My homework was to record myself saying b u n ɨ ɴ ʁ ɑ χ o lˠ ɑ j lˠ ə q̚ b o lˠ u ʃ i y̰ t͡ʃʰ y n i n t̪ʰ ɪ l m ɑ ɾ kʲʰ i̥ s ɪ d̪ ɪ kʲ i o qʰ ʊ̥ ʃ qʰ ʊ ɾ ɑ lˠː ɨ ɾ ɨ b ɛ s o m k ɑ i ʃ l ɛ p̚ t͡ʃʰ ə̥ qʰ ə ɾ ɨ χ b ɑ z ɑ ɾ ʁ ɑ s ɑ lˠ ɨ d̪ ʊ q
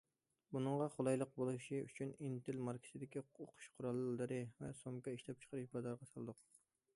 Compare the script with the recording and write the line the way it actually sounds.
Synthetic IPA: b u n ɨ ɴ ʁ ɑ χ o lˠ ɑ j lˠ ə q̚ b o lˠ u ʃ i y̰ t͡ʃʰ y n i n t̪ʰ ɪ l m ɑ ɾ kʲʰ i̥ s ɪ d̪ ɪ kʲ i o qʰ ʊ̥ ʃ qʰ ʊ ɾ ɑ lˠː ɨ ɾ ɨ v ɛ s o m k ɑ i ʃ l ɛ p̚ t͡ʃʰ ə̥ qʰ ə ɾ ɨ ʃ b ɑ z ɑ ɾ ʁ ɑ s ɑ lˠ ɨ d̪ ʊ q